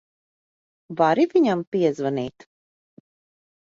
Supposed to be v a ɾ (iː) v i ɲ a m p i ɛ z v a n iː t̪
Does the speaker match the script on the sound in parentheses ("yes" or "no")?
no